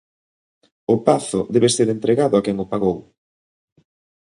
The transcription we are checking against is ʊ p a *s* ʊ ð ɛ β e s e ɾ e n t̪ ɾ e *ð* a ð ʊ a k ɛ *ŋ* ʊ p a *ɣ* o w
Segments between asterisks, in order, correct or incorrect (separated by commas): incorrect, incorrect, correct, correct